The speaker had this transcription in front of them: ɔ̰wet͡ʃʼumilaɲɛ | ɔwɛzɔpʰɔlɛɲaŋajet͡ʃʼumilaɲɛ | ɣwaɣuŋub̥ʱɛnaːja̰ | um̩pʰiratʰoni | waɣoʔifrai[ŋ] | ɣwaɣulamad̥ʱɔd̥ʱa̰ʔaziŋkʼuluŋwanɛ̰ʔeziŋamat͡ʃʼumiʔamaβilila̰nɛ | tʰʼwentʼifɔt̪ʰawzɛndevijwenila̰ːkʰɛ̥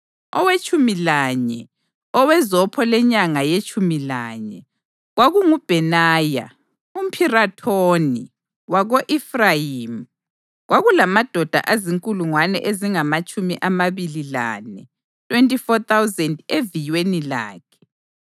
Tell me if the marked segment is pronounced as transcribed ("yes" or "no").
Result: no